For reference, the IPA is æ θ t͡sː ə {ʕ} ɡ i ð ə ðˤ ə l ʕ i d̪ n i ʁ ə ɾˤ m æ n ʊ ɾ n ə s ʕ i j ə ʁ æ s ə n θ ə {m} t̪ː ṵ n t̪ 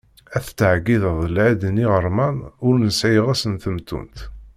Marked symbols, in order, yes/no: yes, yes

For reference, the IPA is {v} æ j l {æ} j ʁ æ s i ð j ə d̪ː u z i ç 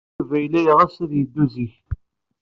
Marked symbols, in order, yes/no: yes, yes

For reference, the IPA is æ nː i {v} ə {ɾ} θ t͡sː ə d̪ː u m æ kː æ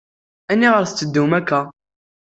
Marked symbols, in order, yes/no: no, yes

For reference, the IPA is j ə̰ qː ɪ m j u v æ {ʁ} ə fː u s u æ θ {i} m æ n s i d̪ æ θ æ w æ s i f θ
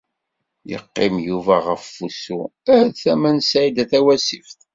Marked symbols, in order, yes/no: yes, no

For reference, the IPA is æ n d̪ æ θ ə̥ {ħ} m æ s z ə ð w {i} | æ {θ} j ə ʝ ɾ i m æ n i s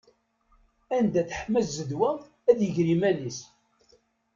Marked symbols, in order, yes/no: yes, no, no

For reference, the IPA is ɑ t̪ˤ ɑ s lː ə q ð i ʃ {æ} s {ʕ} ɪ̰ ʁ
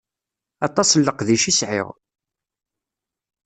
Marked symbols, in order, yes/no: no, yes

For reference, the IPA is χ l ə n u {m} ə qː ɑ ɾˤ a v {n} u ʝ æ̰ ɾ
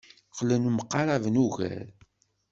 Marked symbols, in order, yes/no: yes, yes

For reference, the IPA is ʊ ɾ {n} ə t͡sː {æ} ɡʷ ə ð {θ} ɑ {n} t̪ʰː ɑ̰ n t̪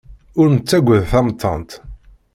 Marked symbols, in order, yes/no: yes, yes, yes, no

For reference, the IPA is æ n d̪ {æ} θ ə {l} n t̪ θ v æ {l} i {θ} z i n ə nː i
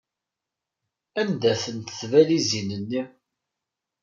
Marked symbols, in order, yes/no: yes, no, yes, no

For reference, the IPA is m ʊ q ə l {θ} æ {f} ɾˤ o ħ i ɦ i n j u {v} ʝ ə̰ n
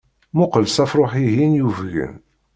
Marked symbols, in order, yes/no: no, yes, yes

